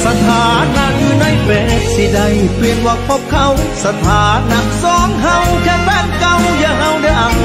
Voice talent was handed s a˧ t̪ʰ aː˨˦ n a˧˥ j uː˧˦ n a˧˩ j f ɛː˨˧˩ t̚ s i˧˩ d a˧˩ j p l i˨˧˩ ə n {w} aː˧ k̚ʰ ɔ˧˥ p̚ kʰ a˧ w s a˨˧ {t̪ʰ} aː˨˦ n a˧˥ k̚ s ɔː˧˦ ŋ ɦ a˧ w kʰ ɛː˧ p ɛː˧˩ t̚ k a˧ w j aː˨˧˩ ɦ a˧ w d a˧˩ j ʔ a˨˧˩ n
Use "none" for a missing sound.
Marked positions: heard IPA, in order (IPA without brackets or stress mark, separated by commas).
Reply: w, t̪ʰ